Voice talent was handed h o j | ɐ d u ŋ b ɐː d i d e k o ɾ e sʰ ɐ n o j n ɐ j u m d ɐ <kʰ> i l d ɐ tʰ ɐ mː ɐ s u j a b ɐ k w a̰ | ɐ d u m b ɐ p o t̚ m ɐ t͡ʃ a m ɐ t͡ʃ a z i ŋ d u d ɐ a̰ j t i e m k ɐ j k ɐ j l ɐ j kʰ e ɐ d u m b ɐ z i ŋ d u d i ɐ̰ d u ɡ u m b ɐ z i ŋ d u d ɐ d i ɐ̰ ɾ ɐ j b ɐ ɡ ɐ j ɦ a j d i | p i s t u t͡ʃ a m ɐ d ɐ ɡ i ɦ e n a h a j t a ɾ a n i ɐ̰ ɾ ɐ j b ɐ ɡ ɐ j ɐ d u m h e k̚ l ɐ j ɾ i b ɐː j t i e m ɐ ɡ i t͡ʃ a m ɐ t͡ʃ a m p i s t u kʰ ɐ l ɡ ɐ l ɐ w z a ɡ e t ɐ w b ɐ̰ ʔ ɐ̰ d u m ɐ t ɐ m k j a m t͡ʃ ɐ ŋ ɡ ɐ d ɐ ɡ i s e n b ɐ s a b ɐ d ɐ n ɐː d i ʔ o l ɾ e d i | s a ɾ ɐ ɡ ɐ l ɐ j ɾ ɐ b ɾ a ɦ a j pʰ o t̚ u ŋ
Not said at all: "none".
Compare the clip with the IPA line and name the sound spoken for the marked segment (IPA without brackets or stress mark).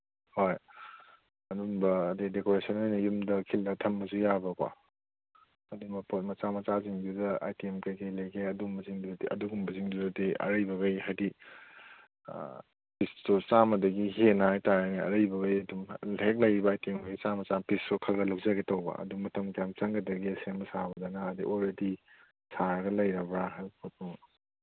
kʰ